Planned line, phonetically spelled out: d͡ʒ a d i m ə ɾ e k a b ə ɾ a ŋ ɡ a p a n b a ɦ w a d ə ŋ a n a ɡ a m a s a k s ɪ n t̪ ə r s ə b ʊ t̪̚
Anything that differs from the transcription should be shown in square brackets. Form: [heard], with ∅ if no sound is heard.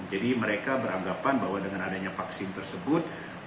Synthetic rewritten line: d͡ʒ a d i m ə ɾ e k a b ə ɾ a ŋ ɡ a p a n b a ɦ w a d ə ŋ a n a [d] a [ɲ] a [f] a k s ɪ n t̪ ə r s ə b ʊ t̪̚

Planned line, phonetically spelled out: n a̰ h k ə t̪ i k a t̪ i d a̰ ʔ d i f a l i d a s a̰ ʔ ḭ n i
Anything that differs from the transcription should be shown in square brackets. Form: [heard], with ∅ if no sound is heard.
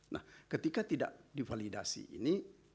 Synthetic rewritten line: n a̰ h k ə t̪ i k a t̪ i d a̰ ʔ d i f a l i d a s [ḭ] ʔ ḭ n i

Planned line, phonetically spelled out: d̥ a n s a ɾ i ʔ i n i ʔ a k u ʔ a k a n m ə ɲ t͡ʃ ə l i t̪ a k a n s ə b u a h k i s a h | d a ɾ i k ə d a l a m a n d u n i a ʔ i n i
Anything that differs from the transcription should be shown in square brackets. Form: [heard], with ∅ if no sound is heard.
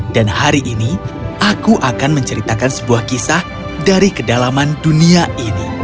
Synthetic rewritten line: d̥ a n [h] a ɾ i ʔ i n i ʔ a k u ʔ a k a n m ə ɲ t͡ʃ ə [ɾ] i t̪ a k a n s ə b u a h k i s a h | d a ɾ i k ə d a l a m a n d u n i a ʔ i n i

